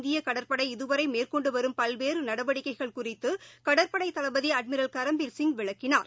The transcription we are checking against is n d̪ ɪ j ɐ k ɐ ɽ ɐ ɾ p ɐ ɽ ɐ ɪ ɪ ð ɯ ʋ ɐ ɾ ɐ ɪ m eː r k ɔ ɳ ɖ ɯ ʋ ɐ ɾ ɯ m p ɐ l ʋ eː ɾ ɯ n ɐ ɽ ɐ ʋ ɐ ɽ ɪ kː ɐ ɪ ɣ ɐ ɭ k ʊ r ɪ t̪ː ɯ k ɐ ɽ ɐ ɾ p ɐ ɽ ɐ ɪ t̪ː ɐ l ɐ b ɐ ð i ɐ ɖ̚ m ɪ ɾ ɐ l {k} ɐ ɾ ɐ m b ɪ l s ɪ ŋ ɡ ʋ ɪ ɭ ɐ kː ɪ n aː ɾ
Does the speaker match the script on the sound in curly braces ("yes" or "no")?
yes